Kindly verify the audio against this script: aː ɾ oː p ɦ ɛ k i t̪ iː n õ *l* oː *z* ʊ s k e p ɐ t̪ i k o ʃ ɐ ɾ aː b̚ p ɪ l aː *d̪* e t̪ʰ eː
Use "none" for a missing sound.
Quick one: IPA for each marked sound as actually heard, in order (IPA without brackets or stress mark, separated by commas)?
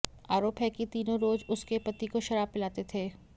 ɾ, z, t̪